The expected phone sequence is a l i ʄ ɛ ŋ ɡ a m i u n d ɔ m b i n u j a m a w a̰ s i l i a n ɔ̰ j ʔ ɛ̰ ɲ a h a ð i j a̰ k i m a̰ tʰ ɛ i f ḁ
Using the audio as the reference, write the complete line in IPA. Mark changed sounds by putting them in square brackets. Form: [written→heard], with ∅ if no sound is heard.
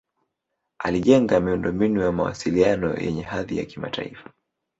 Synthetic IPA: a l i ʄ ɛ ŋ ɡ a m i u n d ɔ m b i n u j a m a w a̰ s i l i a n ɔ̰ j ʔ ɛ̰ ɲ [a→ɛ] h a ð i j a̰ k i m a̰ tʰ [ɛ→a] i f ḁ